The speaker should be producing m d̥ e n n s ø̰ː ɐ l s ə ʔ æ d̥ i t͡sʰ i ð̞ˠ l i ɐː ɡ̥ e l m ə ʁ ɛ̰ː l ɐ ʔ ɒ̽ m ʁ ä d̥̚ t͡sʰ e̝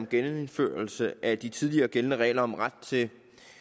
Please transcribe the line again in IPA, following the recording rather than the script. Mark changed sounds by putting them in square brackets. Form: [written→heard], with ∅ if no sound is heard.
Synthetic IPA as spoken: m [d̥→ɡ̥] e n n [s→f] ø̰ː ɐ l s ə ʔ æ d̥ i t͡sʰ i ð̞ˠ l i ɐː ɡ̥ e l [m→n] ə ʁ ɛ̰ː l ɐ [ʔ→∅] ɒ̽ m ʁ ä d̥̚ t͡sʰ e̝